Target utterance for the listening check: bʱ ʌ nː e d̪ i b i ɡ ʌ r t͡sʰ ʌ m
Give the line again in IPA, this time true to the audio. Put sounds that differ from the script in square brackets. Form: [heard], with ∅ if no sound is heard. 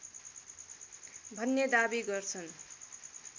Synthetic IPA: bʱ ʌ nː e d̪ [a] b i ɡ ʌ r t͡sʰ ʌ [n]